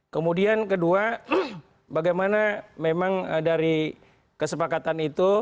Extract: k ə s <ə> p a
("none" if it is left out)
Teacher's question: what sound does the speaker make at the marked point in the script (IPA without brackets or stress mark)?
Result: ə